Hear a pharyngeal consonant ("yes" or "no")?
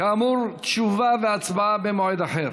yes